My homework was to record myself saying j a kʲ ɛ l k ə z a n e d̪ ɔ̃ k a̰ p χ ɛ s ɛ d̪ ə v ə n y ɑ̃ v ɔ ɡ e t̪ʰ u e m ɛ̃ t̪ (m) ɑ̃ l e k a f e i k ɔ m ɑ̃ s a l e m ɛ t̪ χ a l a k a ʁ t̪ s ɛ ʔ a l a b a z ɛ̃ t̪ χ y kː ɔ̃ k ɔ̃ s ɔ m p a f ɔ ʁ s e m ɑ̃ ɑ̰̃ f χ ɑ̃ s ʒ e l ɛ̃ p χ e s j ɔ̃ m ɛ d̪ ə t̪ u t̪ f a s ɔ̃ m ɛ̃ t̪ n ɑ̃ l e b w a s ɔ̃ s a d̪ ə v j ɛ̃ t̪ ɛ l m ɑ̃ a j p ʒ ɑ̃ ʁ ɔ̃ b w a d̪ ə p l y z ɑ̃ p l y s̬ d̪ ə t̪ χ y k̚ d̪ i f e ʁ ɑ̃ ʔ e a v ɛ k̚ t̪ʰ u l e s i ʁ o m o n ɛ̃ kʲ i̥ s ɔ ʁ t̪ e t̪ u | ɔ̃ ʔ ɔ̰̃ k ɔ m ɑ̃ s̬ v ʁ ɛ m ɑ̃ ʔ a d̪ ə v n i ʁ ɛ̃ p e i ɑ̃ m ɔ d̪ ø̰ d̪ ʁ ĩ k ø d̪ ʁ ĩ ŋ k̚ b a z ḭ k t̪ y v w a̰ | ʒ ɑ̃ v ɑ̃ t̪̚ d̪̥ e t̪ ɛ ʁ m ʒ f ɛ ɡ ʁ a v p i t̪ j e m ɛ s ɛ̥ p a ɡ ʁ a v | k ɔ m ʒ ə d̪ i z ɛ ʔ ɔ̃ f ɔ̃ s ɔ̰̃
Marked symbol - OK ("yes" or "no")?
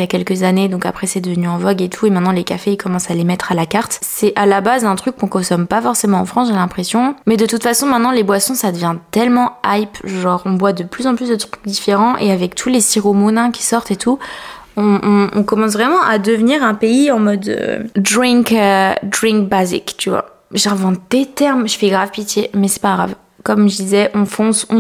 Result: no